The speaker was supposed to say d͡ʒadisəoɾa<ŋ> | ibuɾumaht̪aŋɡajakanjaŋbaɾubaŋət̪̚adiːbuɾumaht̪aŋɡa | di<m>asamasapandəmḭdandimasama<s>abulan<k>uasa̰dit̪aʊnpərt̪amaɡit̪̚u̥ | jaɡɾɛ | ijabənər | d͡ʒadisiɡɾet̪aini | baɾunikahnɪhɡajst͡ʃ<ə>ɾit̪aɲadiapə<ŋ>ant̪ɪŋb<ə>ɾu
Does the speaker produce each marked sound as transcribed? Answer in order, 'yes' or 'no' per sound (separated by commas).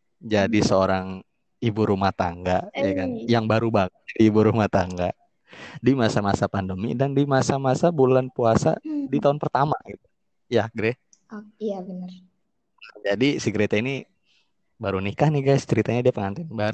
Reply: yes, yes, yes, no, yes, yes, no